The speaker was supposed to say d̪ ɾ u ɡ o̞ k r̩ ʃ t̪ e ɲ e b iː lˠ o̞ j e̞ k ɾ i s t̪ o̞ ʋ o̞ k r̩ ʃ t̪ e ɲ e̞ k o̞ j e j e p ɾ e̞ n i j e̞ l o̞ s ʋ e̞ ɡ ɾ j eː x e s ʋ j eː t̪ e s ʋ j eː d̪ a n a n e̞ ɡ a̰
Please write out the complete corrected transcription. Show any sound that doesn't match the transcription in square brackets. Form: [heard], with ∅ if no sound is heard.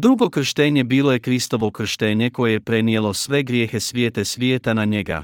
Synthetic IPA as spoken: d̪ ɾ u ɡ o̞ k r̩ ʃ t̪ e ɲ e b iː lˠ o̞ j e̞ k ɾ i s t̪ o̞ ʋ o̞ k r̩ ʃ t̪ e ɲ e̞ k o̞ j e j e p ɾ e̞ n i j e̞ l o̞ s ʋ e̞ ɡ ɾ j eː x e s ʋ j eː t̪ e s ʋ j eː [t̪] a n a [ɲ] e̞ ɡ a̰